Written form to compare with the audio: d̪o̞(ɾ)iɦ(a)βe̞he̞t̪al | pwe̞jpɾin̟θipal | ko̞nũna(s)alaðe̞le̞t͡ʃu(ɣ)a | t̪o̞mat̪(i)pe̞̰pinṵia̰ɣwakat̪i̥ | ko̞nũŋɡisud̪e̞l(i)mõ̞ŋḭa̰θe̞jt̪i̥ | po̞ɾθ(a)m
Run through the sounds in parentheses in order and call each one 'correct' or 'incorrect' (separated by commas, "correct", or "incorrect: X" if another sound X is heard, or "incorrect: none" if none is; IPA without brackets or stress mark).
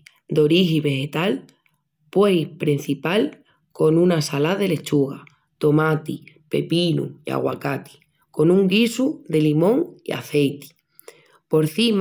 correct, incorrect: i, correct, correct, correct, correct, incorrect: i